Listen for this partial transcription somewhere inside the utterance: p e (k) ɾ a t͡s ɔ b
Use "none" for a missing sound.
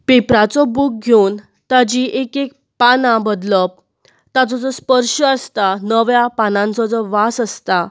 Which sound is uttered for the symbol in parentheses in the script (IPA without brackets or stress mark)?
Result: p